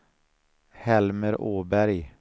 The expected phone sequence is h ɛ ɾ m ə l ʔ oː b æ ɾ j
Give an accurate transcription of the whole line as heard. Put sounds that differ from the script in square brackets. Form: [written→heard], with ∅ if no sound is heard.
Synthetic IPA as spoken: h ɛ [ɾ→l] m ə [l→ɾ] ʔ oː b æ ɾ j